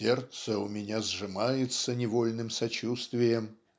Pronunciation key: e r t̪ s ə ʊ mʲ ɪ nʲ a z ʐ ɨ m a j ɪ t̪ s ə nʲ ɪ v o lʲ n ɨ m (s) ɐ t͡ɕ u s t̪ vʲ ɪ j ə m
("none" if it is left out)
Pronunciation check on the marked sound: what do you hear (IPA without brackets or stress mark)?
s